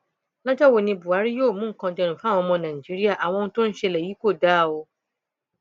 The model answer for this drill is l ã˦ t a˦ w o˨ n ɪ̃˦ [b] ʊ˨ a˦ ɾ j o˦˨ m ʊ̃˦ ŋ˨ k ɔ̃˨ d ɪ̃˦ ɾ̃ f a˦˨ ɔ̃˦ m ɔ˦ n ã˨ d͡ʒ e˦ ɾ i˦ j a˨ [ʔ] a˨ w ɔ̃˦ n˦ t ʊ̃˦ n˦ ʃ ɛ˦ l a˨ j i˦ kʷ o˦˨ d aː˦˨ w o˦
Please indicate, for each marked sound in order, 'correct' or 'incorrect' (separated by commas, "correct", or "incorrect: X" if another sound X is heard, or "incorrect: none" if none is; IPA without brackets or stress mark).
correct, correct